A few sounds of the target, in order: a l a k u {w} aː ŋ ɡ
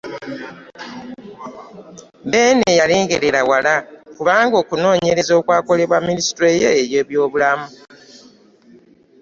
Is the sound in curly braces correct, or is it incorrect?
incorrect